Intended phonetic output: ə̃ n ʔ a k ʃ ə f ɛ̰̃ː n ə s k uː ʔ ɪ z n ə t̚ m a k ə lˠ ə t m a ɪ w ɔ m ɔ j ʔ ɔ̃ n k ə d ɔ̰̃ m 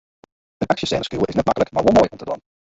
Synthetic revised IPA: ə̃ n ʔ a k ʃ ə s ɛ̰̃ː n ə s k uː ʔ ɪ z n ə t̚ m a k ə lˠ ə k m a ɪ w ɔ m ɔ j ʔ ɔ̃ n t ə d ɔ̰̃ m